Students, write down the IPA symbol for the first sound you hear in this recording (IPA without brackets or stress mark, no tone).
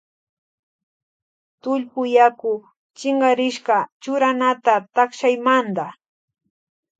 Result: t̪